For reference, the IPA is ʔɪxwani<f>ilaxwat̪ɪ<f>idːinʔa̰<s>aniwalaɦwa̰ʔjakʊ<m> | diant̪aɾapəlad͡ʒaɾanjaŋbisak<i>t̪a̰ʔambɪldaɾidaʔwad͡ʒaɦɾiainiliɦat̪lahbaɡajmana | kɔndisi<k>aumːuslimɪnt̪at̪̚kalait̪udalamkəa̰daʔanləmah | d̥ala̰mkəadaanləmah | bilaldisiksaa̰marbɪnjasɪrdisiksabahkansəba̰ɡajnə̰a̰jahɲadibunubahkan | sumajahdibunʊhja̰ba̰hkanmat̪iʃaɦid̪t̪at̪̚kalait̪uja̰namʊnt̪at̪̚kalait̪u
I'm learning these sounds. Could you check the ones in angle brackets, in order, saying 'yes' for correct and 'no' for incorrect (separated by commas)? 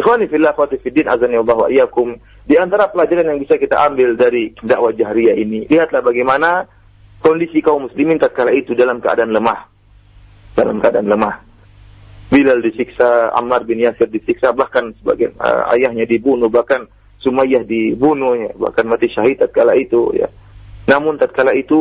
yes, yes, no, yes, yes, yes